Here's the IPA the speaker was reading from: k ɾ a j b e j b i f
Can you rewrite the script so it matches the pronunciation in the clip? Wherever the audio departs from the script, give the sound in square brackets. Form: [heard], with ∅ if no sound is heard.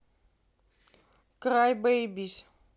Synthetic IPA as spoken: k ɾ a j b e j b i [s]